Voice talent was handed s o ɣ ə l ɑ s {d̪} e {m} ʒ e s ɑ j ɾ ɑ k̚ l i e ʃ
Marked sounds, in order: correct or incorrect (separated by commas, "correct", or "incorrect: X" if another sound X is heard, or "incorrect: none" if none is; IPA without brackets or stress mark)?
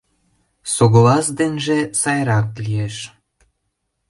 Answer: correct, incorrect: n